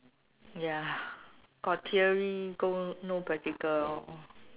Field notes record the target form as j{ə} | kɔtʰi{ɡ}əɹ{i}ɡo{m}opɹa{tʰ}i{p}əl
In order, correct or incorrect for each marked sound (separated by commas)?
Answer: incorrect, incorrect, correct, incorrect, incorrect, incorrect